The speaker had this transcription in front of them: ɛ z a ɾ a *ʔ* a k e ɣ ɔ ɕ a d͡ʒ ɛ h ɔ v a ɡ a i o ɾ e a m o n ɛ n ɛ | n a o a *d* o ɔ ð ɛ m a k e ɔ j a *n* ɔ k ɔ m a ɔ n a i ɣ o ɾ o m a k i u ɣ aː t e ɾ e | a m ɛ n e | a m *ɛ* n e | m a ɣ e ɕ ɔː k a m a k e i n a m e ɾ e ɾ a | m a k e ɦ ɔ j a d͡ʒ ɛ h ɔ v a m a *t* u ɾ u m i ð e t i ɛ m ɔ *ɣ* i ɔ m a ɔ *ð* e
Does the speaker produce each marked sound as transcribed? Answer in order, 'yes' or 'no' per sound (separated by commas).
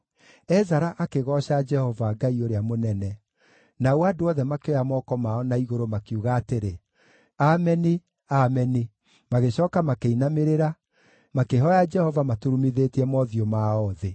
yes, yes, no, yes, yes, no, yes